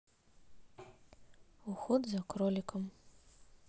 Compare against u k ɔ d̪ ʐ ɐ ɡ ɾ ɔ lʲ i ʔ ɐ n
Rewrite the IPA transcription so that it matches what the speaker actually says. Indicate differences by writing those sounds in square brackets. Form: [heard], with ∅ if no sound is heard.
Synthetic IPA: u [x] ɔ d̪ [z] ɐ [k] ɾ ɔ lʲ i [k] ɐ [m]